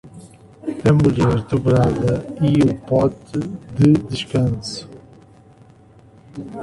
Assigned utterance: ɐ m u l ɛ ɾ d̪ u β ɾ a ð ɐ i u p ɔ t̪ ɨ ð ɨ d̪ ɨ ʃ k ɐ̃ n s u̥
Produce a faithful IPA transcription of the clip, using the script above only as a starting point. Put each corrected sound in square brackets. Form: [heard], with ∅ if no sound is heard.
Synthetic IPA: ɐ m u [ʎ] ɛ ɾ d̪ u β ɾ a ð ɐ i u p ɔ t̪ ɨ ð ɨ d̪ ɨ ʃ k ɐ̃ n s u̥